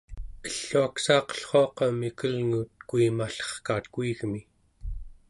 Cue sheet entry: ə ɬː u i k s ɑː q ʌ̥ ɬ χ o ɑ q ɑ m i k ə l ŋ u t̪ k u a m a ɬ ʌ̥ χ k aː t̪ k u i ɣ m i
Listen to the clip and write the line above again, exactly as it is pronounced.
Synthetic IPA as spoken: ə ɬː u a k s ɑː q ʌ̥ ɬ χ o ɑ q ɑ m i k ə l ŋ u t̪ k u i m a ɬ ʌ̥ χ k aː t̪ k u i ɣ m i